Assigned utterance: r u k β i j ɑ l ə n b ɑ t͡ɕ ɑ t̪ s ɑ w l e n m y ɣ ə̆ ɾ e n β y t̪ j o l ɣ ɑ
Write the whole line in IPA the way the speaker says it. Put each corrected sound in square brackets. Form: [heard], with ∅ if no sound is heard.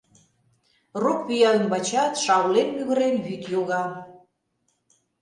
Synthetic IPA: r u k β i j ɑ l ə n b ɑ t͡ɕ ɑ t̪ [ʃ] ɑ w l e n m y ɣ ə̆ ɾ e n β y t̪ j o [∅] ɣ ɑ